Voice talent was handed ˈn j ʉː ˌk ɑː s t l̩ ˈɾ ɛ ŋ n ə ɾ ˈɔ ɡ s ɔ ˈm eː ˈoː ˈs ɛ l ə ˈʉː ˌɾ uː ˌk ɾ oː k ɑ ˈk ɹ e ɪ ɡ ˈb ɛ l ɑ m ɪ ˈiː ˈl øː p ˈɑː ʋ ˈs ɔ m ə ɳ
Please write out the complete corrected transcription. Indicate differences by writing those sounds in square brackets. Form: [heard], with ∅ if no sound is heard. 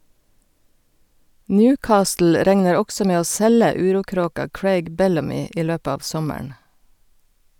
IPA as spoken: ˈn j ʉː ˌk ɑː s t l̩ ˈɾ ɛ ŋ n ə ɾ ˈɔ ɡ s ɔ ˈm eː ˈoː ˈs ɛ l ə ˈʉː ˌɾ uː ˌk ɾ oː k ɑ ˈk ɹ e ɪ ɡ ˈb ɛ l ɑ m ɪ ˈiː ˈl øː p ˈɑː ʋ ˈs ɔ m ə ɳ